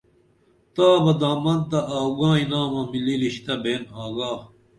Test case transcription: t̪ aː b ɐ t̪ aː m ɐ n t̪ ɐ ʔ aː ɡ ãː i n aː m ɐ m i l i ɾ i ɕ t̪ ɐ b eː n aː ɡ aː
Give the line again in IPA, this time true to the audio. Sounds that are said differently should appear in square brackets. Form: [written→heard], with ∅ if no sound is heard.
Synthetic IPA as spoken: t̪ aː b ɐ [t̪→d̪] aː m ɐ n t̪ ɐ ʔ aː ɡ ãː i n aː m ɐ m i l i [ɾ→l] i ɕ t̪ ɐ b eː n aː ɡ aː